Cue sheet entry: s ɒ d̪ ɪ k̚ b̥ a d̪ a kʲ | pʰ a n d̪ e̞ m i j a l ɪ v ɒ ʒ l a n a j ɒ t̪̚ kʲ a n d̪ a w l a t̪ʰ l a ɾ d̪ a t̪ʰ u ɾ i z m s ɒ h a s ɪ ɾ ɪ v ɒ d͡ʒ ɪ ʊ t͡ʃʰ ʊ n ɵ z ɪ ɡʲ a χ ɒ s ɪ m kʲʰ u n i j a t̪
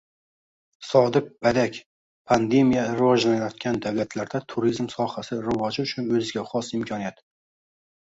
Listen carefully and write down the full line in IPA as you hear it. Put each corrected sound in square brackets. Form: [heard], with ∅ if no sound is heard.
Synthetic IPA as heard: s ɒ d̪ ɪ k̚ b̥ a d̪ a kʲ | pʰ a n d̪ e̞ m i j a [ɾ] ɪ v ɒ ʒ l a n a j ɒ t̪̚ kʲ a n d̪ a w l a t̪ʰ l a ɾ d̪ a t̪ʰ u ɾ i z m s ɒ h a s ɪ ɾ ɪ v ɒ d͡ʒ ɪ ʊ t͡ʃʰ ʊ n ɵ z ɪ ɡʲ a χ ɒ s ɪ m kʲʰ [ɒ] n i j a t̪